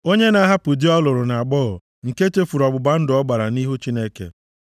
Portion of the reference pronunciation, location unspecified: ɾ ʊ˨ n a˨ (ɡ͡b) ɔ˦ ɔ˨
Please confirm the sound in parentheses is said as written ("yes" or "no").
yes